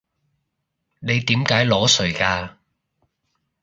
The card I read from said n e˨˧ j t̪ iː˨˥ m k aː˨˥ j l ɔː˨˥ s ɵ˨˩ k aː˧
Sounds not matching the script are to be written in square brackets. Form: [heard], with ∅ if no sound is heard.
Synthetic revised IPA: n e˨˧ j t̪ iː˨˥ m k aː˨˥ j l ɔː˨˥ s ɵ˨˩ k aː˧